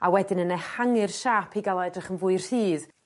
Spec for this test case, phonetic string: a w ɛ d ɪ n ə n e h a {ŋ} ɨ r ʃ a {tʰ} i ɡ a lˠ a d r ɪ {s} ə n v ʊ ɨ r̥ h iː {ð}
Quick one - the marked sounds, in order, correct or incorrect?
correct, incorrect, incorrect, correct

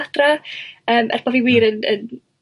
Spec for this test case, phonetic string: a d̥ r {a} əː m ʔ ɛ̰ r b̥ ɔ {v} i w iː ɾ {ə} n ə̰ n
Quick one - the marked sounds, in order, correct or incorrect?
correct, correct, correct

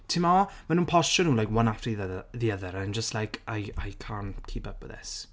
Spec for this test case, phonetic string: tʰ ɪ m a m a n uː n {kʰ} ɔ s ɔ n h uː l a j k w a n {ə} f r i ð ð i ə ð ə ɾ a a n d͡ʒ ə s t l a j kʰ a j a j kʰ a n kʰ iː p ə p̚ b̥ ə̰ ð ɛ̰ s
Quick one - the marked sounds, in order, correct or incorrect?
incorrect, incorrect

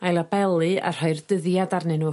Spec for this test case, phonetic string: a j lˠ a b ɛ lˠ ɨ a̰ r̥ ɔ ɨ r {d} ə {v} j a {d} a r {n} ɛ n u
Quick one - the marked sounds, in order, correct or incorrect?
correct, incorrect, correct, correct

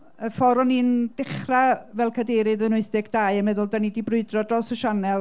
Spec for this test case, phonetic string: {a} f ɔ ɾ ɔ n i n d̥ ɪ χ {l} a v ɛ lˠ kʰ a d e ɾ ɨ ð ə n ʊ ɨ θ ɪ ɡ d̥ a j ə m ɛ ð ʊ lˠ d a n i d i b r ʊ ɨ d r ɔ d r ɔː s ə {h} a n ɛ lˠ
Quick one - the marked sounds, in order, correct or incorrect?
incorrect, incorrect, incorrect

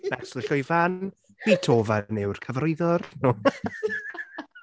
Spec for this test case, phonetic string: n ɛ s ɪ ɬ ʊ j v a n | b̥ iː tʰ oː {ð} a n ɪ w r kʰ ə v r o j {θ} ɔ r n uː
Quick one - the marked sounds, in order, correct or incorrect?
incorrect, incorrect

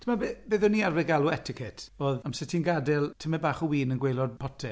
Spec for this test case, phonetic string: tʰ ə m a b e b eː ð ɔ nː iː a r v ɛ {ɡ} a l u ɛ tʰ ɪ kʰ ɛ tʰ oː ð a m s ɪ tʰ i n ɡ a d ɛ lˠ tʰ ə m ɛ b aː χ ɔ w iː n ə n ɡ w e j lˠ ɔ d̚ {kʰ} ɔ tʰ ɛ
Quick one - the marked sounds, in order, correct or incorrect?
correct, incorrect

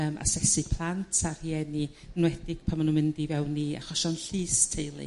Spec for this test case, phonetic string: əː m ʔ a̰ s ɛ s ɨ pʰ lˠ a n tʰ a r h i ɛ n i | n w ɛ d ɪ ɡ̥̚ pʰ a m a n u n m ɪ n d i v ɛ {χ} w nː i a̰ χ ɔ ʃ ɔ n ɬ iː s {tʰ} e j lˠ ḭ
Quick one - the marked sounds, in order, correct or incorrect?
incorrect, correct

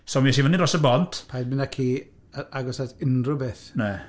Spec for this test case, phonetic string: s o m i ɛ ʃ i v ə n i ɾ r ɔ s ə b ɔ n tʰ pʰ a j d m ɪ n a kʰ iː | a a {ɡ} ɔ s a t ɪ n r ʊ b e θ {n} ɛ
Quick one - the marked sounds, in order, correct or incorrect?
correct, correct

